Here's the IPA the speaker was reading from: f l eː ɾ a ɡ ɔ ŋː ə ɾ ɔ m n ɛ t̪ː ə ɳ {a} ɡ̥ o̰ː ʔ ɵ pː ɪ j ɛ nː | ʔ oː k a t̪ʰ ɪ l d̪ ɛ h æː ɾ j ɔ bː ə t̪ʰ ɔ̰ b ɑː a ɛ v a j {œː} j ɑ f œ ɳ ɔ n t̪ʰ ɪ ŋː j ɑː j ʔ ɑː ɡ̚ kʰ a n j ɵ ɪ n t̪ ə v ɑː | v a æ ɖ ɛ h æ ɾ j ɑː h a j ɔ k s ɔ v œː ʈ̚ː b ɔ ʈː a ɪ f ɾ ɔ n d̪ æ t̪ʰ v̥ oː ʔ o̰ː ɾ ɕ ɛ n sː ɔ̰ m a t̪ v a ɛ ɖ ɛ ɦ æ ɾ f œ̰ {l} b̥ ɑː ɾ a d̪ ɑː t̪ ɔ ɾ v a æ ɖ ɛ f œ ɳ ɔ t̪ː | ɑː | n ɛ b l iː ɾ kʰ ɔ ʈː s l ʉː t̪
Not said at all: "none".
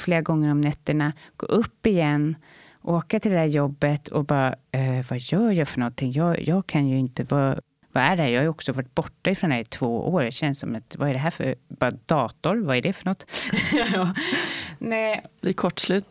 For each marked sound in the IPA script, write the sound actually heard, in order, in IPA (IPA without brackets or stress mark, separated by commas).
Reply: a, œː, ɾ